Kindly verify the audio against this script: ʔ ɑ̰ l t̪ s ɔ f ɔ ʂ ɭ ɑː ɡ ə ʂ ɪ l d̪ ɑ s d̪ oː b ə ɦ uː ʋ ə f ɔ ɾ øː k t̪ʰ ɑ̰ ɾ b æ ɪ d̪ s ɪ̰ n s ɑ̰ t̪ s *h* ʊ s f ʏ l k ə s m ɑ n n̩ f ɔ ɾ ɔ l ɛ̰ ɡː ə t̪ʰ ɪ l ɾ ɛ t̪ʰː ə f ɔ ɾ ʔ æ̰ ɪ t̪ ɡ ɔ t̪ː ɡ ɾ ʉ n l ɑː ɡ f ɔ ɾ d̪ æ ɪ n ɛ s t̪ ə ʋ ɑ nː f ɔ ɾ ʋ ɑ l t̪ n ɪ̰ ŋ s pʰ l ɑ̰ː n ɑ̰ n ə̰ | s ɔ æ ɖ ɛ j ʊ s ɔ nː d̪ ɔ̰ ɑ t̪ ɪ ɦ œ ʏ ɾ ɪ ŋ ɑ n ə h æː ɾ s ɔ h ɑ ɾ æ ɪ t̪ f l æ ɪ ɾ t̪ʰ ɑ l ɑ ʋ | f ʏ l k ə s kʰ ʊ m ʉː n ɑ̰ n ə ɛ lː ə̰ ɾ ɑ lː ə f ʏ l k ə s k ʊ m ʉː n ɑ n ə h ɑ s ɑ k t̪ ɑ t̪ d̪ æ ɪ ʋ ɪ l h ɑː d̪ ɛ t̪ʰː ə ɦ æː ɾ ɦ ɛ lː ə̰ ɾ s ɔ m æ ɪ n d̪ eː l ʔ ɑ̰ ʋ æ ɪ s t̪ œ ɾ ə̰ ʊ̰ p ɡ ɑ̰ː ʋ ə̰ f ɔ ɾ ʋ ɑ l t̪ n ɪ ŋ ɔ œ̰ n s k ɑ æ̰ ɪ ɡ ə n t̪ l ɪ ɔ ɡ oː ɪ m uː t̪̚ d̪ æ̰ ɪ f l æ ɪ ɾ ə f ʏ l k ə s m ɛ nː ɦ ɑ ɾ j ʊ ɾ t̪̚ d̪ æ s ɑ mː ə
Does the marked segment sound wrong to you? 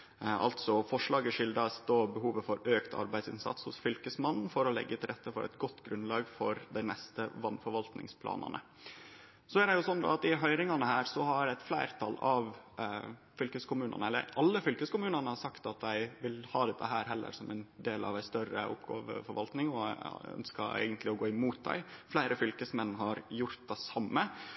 no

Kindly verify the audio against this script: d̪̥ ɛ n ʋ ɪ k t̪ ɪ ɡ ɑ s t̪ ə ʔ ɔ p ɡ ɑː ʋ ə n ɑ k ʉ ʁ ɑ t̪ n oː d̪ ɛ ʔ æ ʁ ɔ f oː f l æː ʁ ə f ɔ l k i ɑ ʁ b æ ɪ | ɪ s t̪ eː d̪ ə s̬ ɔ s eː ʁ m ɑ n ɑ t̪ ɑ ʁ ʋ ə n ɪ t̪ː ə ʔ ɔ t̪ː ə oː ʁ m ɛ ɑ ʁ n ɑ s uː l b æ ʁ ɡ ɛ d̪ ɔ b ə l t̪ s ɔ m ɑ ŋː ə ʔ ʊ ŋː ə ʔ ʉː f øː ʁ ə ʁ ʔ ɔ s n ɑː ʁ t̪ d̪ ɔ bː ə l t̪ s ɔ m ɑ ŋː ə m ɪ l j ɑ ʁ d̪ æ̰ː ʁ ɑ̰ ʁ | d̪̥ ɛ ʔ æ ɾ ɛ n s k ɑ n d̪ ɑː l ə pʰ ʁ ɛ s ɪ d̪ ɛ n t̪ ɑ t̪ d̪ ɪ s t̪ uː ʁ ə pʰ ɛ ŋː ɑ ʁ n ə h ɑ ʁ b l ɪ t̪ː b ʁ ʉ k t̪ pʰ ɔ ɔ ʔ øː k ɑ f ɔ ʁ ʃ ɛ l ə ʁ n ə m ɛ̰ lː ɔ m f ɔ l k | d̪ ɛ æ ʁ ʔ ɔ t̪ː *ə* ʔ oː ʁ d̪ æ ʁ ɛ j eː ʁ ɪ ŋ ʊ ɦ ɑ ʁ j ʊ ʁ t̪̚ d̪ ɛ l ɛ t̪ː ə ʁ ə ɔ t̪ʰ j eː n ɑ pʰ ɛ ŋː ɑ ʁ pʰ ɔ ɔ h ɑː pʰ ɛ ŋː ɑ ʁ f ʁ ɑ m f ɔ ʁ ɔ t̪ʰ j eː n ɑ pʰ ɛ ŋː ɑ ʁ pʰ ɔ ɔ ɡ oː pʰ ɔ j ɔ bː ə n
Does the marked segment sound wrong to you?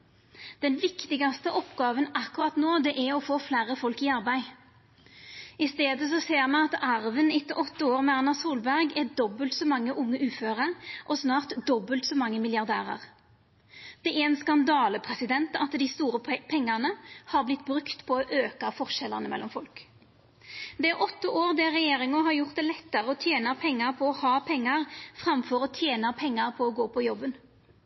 no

